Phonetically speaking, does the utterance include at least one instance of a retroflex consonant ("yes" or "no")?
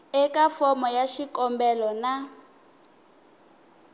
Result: no